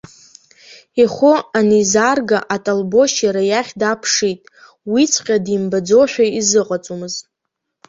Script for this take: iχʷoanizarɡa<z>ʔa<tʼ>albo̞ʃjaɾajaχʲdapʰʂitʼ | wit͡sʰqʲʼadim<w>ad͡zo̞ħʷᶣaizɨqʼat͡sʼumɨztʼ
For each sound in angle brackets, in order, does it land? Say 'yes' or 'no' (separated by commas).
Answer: no, yes, no